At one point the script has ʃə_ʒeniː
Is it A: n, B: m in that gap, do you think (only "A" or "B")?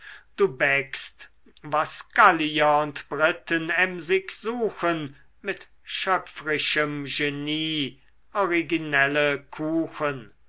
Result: B